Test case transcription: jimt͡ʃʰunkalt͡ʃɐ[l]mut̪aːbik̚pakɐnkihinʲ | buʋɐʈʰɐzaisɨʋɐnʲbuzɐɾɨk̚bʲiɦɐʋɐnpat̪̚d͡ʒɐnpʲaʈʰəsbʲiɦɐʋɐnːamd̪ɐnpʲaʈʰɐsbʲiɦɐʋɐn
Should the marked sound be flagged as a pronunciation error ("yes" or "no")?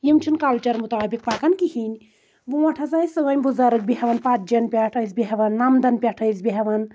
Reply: yes